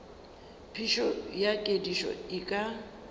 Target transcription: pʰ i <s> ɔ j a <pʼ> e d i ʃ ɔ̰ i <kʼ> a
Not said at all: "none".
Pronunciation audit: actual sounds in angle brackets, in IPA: ʃ, kʼ, kʼ

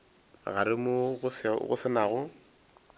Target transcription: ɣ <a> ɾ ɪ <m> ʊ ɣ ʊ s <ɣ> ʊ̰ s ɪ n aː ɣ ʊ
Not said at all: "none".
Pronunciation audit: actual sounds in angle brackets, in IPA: a, m, ɣ

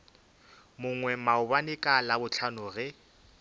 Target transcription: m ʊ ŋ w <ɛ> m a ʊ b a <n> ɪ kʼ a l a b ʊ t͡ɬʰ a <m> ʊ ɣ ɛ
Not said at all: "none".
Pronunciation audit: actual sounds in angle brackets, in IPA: ɛ, n, n

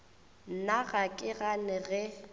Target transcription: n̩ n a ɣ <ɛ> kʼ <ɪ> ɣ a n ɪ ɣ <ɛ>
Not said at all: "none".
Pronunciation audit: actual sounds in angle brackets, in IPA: a, ɪ, ɛ

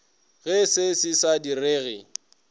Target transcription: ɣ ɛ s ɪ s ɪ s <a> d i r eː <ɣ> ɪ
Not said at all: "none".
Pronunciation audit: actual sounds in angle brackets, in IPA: a, ɣ

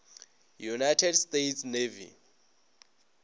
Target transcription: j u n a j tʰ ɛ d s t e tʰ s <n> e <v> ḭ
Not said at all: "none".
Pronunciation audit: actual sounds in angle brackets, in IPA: n, v

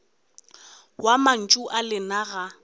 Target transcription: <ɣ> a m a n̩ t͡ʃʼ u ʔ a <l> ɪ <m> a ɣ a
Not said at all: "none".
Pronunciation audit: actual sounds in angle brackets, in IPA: w, l, n

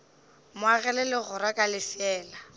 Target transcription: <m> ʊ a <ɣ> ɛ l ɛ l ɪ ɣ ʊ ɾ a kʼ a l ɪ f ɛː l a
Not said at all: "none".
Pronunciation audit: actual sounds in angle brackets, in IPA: m, ɣ

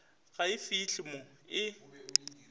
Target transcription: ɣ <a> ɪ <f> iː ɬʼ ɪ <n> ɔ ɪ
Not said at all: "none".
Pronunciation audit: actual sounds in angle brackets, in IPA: a, f, m

